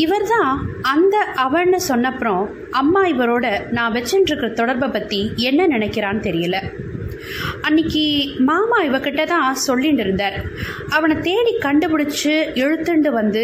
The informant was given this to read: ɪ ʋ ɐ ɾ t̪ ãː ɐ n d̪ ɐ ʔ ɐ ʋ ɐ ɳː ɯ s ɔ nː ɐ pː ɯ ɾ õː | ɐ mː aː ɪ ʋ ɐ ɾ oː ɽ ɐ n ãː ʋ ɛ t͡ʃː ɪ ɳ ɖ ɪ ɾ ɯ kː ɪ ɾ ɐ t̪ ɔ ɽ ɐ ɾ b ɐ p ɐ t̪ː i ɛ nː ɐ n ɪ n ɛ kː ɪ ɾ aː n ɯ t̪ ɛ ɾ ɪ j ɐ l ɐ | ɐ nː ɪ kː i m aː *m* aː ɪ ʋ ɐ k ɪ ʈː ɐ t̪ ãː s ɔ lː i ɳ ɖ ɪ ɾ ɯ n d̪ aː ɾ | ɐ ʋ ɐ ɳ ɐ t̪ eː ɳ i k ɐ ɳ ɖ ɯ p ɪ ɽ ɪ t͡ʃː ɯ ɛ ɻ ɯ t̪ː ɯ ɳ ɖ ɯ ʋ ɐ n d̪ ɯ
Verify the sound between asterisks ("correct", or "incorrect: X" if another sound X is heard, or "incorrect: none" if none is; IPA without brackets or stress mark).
correct